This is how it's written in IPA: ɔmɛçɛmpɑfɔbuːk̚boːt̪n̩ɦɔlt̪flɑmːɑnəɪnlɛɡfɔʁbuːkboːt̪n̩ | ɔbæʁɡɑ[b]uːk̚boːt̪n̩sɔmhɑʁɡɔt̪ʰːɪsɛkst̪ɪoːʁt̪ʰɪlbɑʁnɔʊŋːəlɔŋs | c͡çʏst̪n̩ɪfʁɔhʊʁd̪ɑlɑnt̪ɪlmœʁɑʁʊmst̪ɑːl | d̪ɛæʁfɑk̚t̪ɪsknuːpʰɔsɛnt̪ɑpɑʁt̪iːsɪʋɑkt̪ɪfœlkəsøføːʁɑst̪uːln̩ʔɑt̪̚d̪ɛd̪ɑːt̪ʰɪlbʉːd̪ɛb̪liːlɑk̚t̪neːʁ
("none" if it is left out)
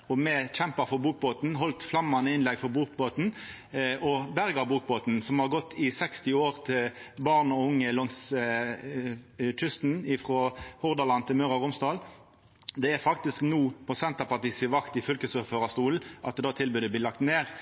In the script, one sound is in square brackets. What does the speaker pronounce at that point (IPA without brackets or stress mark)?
b